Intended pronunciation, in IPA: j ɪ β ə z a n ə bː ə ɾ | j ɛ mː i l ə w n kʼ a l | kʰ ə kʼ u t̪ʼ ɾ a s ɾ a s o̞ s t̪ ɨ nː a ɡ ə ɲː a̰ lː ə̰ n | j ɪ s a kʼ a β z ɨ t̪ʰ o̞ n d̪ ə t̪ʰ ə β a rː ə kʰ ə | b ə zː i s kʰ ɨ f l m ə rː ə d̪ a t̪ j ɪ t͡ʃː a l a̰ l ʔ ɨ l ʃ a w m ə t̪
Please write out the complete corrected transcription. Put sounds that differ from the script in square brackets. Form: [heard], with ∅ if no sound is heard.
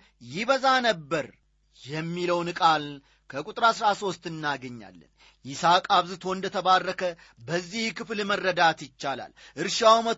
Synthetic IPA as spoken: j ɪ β ə z a n ə bː ə ɾ | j ɛ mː i l ə w n kʼ a l | kʰ ə kʼ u t̪ʼ ɾ a s ɾ a s o̞ s t̪ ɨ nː a ɡ ə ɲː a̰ lː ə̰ n | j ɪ s a kʼ a β z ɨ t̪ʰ o̞ n d̪ ə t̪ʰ ə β a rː ə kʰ ə | b ə zː i [h] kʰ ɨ f l m ə rː ə d̪ a t̪ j ɪ t͡ʃː a l a̰ l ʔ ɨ [ɾ] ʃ a w m ə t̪